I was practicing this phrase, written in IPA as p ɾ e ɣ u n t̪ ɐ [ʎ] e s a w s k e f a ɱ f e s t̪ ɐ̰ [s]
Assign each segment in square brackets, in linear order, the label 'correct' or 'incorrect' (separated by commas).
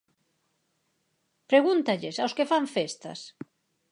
correct, correct